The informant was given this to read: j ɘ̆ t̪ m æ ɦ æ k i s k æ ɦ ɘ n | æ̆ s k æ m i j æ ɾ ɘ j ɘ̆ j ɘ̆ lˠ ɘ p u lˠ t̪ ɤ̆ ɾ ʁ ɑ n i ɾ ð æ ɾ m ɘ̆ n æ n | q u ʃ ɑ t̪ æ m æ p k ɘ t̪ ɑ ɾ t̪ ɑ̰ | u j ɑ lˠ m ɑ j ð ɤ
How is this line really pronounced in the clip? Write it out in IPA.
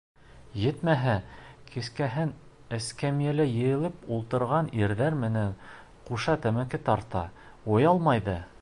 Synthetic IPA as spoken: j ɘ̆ t̪ m æ ɦ æ k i s k æ ɦ ɘ n | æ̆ s k æ m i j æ l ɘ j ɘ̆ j ɘ̆ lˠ ɘ p u lˠ t̪ ɤ̆ ɾ ʁ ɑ n i ɾ ð æ ɾ m ɘ̆ n æ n | q u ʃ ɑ t̪ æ m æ k ɘ t̪ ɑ ɾ t̪ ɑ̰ | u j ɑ lˠ m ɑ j ð ɤ